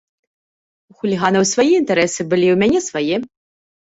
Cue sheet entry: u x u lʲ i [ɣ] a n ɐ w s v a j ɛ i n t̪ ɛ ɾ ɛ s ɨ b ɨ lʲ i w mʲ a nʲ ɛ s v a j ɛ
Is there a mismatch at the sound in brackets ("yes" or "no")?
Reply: no